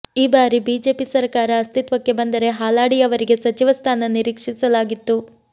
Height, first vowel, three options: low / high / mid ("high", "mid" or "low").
high